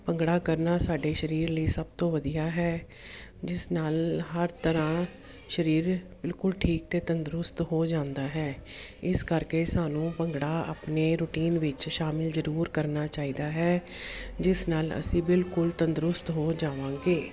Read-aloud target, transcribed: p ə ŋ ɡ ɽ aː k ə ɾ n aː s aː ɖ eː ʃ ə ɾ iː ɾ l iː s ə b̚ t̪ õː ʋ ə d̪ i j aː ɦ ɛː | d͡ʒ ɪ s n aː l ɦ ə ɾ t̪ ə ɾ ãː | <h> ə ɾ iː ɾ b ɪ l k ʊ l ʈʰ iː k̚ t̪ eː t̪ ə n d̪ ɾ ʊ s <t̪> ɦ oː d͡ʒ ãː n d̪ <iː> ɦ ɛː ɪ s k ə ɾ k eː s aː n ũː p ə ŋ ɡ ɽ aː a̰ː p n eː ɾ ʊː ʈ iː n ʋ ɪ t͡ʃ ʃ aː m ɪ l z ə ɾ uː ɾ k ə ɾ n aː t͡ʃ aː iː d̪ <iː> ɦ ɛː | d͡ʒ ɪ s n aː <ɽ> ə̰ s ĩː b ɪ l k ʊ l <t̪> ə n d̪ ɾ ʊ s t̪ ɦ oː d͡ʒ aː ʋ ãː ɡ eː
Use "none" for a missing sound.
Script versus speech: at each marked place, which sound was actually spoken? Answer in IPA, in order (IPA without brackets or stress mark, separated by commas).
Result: ʃ, t̪, aː, aː, l, t̪